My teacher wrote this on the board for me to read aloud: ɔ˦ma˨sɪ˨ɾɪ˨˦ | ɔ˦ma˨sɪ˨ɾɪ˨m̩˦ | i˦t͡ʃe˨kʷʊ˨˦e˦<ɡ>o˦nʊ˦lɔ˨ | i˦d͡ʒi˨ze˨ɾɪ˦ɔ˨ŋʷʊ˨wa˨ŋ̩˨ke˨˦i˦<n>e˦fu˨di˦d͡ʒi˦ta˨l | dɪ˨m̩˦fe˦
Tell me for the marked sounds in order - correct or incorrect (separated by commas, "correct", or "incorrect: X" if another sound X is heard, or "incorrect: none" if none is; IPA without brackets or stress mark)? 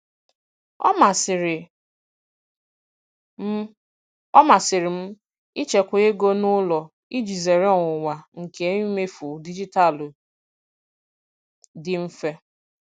correct, incorrect: m